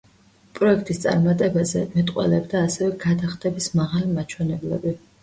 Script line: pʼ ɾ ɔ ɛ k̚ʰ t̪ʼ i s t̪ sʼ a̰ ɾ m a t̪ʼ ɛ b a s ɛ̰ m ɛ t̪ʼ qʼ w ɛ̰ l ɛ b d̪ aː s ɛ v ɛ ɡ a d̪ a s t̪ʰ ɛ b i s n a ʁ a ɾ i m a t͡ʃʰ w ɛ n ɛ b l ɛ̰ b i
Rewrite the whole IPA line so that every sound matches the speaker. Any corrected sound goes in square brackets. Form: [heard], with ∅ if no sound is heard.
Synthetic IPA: pʼ ɾ ɔ ɛ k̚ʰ t̪ʼ i s t̪ sʼ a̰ ɾ m a t̪ʼ ɛ b a [z] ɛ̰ m ɛ t̪ʼ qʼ w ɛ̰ l ɛ b d̪ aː s ɛ v ɛ ɡ a d̪ a [χ] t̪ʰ ɛ b i s [m] a ʁ a [l] i m a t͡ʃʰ w ɛ n ɛ b l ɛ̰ b i